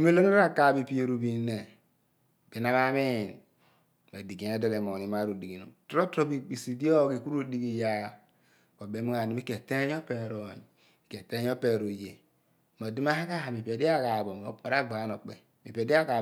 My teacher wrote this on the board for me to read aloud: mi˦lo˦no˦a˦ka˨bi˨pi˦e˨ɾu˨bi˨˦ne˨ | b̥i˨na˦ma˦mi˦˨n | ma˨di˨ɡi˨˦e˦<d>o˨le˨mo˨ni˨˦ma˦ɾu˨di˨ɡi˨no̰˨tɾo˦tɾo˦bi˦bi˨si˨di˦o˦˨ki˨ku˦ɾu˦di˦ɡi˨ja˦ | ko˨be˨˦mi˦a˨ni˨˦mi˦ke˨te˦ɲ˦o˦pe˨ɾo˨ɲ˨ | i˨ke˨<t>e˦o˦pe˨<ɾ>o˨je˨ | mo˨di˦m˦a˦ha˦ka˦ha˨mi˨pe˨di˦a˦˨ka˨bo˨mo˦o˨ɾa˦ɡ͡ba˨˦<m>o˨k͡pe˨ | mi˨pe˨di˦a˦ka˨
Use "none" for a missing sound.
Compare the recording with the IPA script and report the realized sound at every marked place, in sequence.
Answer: d, t, ɾ, n

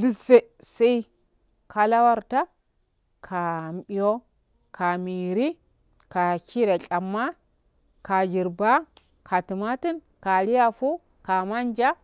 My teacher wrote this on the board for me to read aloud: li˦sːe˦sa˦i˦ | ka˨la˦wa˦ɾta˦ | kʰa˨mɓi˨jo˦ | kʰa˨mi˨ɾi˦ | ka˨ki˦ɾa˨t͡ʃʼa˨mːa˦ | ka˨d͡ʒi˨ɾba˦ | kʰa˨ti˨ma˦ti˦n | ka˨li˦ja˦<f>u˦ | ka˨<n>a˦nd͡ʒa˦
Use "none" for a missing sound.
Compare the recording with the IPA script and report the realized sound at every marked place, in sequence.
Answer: f, m

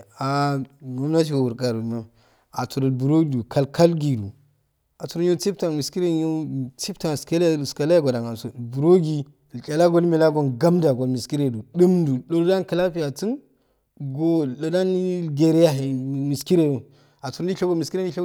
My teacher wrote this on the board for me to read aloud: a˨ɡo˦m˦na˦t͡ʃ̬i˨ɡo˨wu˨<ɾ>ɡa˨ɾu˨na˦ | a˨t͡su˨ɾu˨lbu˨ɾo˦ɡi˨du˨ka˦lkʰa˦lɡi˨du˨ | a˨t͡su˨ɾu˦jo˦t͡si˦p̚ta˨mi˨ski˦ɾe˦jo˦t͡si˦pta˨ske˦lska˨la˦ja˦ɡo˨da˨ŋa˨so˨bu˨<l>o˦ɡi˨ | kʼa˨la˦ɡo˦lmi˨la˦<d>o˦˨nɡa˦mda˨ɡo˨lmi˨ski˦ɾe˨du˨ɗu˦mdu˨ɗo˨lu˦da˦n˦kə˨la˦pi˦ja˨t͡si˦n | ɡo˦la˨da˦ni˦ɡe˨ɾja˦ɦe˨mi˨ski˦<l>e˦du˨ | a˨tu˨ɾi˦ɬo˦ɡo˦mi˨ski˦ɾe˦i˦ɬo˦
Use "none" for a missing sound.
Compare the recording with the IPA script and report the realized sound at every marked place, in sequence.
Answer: ɾ, ɾ, ɡ, ɾ

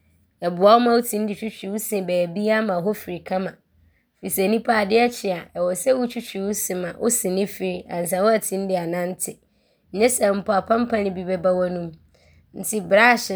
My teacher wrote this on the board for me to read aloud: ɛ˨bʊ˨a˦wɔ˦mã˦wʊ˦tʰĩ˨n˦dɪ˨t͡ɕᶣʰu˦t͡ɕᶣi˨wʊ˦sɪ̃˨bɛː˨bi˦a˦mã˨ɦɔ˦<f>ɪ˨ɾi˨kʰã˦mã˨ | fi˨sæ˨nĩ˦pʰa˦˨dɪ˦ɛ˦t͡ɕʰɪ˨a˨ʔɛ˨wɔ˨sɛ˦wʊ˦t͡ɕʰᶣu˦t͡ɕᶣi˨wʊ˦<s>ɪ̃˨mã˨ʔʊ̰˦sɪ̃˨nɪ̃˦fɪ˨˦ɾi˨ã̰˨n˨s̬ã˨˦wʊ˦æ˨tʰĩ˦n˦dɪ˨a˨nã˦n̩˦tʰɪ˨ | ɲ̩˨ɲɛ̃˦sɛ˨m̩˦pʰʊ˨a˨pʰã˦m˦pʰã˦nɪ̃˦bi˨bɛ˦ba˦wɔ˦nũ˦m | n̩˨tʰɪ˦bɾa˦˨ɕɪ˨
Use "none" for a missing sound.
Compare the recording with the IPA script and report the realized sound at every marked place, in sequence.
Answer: f, s

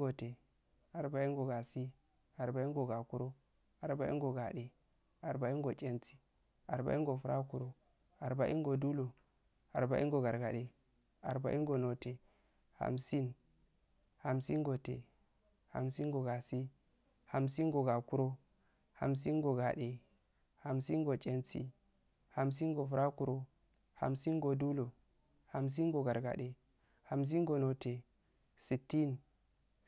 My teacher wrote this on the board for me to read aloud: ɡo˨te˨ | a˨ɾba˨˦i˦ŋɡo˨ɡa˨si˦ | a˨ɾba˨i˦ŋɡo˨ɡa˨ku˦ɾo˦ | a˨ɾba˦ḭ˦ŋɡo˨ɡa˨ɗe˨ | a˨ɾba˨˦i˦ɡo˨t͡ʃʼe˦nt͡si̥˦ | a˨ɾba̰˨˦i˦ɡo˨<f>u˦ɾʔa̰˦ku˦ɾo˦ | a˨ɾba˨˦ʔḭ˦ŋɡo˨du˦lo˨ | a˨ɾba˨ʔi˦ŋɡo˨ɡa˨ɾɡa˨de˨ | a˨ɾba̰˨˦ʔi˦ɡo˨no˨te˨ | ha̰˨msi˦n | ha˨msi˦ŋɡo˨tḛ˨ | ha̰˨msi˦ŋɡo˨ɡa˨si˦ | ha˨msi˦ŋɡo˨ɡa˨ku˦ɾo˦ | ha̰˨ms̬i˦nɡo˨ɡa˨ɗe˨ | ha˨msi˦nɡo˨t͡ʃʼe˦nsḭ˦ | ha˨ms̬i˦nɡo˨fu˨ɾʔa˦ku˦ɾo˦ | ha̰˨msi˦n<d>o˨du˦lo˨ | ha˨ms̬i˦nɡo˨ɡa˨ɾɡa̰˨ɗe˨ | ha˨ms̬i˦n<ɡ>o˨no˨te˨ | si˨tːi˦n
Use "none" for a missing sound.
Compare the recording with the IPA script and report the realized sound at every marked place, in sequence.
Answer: f, ɡ, ɡ

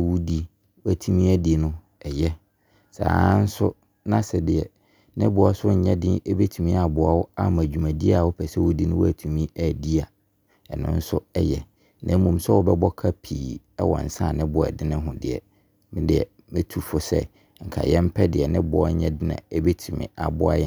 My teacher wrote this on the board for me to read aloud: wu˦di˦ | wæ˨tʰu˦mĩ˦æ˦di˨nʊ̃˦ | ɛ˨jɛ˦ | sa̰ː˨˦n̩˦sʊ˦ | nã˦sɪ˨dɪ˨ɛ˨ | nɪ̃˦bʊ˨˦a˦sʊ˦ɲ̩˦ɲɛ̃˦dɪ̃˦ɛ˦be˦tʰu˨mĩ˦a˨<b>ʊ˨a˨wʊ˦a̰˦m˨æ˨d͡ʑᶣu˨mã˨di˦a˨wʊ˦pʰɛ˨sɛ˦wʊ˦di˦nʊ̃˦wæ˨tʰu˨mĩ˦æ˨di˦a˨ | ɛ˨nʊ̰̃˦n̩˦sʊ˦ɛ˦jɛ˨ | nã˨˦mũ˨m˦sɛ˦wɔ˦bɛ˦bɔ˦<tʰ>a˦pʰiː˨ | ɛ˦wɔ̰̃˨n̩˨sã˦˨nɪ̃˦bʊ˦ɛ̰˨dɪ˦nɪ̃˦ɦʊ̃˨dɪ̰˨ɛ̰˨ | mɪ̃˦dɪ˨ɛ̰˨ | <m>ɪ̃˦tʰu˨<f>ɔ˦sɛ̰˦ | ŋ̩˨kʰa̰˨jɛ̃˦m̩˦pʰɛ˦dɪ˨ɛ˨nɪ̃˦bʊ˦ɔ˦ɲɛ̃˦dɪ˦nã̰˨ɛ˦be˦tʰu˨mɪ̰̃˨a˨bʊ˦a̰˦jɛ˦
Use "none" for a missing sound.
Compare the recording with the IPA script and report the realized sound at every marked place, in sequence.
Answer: b, kʰ, m, f

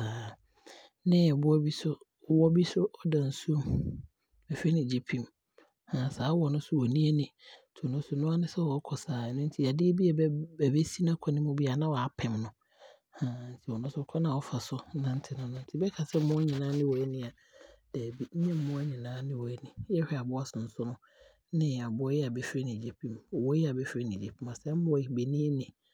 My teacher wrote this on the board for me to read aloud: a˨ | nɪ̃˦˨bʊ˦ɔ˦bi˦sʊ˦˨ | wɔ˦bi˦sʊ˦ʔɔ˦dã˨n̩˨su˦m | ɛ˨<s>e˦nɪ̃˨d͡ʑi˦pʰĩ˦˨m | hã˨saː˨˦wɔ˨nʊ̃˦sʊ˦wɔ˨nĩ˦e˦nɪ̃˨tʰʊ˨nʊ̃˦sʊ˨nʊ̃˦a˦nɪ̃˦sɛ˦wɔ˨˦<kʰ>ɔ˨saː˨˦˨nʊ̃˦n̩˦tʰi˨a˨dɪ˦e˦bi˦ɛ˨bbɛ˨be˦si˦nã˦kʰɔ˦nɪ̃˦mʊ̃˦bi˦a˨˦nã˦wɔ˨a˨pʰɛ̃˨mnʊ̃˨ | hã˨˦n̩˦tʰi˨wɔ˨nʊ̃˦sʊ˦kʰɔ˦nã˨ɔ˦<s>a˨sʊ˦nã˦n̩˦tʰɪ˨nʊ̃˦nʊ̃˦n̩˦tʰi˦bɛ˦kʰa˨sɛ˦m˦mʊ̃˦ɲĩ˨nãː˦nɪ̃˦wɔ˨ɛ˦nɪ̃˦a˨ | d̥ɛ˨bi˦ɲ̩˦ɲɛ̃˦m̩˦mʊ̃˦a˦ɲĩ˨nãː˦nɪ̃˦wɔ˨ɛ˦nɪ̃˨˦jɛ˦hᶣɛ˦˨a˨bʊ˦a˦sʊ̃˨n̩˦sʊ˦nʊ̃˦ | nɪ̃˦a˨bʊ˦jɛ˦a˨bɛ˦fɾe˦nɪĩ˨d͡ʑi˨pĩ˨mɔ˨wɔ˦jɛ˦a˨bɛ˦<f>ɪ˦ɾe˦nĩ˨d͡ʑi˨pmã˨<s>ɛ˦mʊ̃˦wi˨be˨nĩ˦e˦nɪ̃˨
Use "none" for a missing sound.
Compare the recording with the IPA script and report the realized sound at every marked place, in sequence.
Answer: f, kʰ, f, f, s

